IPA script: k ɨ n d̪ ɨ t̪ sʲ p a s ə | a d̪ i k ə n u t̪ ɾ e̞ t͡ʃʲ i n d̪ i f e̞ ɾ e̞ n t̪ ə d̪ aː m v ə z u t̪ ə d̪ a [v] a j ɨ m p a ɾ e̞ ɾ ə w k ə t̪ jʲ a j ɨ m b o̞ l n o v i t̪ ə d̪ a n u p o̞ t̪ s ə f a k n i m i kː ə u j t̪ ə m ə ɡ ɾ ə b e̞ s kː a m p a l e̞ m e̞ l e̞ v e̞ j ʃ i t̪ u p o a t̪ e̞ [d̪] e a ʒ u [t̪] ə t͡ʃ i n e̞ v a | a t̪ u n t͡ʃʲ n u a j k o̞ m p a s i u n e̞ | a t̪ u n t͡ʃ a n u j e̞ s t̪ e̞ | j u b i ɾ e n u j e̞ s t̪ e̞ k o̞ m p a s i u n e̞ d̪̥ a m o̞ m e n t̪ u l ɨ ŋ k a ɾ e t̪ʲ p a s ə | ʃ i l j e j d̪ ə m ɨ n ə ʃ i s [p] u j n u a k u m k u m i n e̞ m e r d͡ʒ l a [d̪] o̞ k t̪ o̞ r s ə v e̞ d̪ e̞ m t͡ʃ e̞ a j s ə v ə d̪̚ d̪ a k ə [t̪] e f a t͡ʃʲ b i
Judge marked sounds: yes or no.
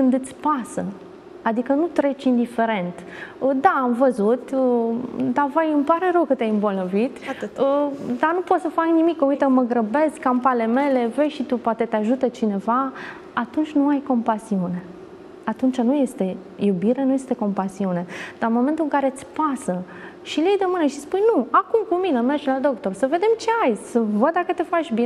yes, no, yes, yes, yes, yes

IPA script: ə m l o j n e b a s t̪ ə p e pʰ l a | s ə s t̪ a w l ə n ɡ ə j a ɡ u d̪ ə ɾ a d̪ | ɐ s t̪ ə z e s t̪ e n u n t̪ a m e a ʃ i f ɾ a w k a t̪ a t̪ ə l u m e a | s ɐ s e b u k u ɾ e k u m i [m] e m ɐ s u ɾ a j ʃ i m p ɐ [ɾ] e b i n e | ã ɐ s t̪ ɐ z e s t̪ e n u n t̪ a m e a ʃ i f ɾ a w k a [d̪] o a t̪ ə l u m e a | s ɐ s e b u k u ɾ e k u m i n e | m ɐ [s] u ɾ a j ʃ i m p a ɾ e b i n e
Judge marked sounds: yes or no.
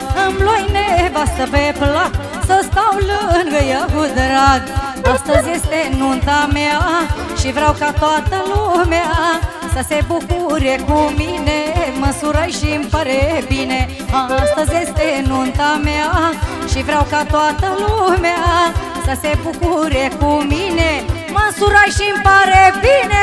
no, yes, no, yes

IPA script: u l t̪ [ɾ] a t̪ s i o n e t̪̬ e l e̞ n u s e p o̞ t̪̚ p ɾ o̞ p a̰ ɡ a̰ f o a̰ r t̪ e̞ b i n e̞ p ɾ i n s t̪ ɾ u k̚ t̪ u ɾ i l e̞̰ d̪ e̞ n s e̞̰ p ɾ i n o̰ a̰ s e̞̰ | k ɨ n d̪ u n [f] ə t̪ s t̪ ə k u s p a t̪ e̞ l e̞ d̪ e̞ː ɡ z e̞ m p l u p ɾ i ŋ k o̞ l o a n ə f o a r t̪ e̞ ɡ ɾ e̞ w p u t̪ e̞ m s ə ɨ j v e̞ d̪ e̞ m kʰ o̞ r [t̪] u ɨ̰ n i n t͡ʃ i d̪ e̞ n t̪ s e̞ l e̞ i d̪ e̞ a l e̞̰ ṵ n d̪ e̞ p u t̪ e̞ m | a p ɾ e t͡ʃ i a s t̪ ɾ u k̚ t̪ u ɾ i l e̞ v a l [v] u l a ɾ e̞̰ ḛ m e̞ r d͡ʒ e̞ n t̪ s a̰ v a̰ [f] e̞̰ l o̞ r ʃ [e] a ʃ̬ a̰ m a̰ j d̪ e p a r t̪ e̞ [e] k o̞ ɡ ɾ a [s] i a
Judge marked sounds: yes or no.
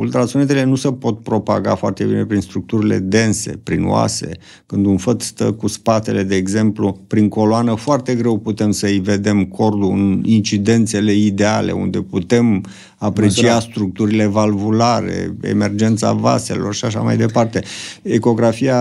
yes, yes, no, yes, no, no, yes, no

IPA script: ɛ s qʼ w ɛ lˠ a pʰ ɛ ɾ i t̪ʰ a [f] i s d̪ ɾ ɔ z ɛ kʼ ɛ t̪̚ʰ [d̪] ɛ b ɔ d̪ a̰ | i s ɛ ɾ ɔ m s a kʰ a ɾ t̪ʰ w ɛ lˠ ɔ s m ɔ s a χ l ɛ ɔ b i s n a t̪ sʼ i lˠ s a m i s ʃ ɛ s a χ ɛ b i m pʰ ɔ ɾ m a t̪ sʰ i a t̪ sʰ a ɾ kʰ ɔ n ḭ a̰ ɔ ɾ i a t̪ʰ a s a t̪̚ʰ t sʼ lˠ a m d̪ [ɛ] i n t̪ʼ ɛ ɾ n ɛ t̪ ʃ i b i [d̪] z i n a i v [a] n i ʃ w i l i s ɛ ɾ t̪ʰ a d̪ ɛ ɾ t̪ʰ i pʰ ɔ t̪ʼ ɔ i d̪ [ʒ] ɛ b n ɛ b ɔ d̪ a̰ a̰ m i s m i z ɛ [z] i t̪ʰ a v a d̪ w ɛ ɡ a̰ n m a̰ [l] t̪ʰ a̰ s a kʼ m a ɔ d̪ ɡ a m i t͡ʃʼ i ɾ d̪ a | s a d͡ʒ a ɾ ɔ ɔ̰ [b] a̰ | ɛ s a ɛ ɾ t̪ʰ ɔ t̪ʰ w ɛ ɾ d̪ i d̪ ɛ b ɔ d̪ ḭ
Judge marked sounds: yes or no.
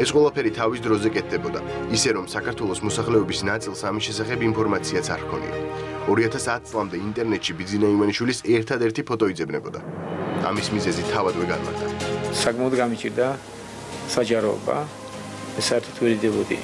no, yes, yes, yes, yes, no, yes, no, yes

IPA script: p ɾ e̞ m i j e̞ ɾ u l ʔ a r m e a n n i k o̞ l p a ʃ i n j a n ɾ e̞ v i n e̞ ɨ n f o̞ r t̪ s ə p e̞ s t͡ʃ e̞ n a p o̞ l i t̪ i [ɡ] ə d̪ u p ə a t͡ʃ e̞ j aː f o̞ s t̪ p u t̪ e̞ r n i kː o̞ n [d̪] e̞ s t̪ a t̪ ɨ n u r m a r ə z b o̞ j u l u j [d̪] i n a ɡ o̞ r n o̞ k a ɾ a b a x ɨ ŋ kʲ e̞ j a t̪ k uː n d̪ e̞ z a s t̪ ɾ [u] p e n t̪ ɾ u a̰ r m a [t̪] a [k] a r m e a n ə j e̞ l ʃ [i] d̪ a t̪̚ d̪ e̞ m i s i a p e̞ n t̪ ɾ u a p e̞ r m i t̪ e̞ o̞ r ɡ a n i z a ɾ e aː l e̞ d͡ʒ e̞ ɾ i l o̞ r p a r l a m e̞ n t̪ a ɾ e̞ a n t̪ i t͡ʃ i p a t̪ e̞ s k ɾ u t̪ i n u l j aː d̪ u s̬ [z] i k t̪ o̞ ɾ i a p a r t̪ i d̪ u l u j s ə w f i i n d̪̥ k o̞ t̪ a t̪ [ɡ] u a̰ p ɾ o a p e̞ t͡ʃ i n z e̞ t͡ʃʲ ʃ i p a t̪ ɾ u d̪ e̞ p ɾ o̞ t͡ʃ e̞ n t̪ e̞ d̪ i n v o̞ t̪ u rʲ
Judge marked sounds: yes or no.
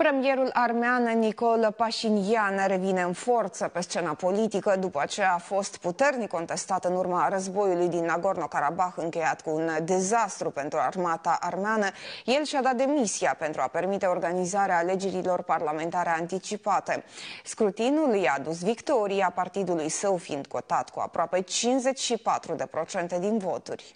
no, no, yes, yes, yes, no, no, no, no

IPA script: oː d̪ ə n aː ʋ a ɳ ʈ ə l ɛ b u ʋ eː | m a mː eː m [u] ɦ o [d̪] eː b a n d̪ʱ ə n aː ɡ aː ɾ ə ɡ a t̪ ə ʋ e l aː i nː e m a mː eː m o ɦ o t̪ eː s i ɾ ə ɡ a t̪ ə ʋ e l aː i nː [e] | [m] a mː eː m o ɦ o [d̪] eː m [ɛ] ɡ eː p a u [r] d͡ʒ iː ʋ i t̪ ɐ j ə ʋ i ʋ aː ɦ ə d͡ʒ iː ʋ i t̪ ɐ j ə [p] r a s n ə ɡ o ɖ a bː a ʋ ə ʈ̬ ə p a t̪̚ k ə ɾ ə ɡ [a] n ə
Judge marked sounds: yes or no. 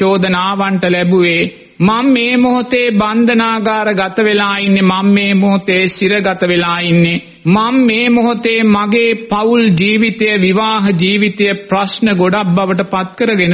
no, no, yes, yes, no, no, no, yes, no

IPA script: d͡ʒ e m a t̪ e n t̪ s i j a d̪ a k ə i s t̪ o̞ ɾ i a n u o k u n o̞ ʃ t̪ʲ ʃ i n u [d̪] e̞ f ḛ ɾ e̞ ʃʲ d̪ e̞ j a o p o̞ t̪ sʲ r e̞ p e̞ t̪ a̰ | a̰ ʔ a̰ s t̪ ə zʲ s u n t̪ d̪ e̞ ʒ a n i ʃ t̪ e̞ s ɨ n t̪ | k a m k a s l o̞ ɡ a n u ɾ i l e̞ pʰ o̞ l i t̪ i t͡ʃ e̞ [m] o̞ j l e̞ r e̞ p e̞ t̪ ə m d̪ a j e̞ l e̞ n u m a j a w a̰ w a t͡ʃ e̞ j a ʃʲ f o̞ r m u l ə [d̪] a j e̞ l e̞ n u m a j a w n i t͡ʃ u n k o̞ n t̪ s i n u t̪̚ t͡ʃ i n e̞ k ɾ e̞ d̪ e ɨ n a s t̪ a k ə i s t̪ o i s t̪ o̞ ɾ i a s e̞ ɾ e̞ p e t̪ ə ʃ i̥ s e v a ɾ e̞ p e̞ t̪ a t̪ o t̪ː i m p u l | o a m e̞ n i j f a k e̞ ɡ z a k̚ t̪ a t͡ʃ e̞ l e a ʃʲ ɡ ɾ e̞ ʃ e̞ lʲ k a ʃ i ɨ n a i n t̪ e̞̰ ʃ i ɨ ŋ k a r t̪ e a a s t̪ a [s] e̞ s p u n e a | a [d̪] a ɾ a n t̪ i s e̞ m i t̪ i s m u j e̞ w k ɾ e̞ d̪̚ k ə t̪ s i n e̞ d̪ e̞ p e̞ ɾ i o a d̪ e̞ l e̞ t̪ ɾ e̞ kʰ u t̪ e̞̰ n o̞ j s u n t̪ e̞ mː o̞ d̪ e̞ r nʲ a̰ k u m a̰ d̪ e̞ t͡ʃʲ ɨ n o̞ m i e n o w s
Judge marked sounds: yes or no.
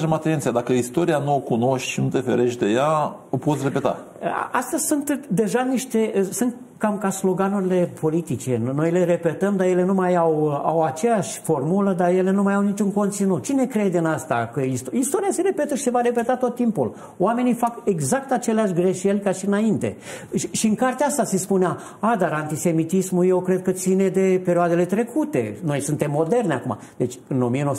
no, no, yes, yes, yes

